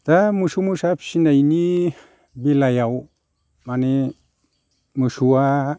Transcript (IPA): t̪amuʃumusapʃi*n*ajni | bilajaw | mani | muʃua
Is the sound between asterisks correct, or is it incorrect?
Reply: correct